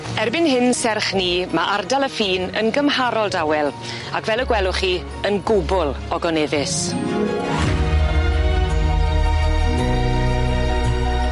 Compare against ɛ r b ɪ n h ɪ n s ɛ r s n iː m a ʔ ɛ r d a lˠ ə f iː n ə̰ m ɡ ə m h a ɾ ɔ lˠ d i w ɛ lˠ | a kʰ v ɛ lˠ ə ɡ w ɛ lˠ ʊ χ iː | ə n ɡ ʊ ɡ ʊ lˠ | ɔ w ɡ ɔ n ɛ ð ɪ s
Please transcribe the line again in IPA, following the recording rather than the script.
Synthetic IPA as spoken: ɛ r b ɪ n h ɪ n s ɛ r χ n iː m a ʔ a r d a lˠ ə f iː n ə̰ n ɡ ə m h a ɾ ɔ lˠ d a w ɛ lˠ | a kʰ v ɛ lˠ ə ɡ w ɛ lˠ ʊ χ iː | ə n ɡ ʊ b ʊ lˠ | ɔ ɡ ɔ n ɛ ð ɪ s